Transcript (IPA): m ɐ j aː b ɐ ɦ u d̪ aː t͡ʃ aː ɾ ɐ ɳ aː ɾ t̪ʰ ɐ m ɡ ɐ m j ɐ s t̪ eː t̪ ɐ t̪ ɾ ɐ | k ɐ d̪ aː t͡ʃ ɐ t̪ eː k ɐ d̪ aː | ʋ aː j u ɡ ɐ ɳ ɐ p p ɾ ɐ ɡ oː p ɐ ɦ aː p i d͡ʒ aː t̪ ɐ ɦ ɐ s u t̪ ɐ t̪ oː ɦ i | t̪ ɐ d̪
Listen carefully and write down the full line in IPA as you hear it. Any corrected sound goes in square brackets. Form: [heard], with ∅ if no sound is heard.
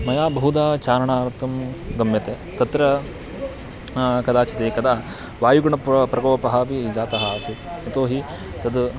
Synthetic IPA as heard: m ɐ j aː b ɐ ɦ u d̪ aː t͡ʃ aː ɾ ɐ ɳ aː ɾ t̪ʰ ɐ m ɡ ɐ m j ɐ [∅] t̪ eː t̪ ɐ t̪ ɾ ɐ | k ɐ d̪ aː t͡ʃ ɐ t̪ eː k ɐ d̪ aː | ʋ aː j u ɡ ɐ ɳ ɐ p p ɾ ɐ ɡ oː p ɐ ɦ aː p i d͡ʒ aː t̪ ɐ ɦ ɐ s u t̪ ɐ t̪ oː ɦ i | t̪ ɐ d̪